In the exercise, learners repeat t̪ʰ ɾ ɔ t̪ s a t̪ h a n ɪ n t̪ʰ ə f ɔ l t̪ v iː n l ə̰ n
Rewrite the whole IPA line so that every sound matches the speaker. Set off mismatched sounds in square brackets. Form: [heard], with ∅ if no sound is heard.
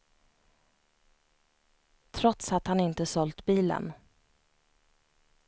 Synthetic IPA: t̪ʰ ɾ ɔ t̪ s a t̪ h a n ɪ n [t̪] ə [s] ɔ l t̪ [b] iː [∅] l ə̰ n